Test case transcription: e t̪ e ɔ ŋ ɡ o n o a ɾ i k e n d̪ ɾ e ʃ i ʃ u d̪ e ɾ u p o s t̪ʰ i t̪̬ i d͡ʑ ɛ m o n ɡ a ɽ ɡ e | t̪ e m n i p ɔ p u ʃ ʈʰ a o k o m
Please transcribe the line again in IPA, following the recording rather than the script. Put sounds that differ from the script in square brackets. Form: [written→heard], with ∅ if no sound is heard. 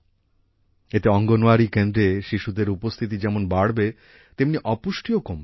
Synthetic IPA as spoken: e t̪ e ɔ ŋ ɡ o n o a ɾ i k e n d̪ ɾ e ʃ i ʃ u d̪ e ɾ u p o s t̪ʰ i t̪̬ i d͡ʑ ɛ m o n [ɡ→b] a ɽ [ɡ→b] e | t̪ e m n i [p→ʔ] ɔ p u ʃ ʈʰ [a→i] o k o m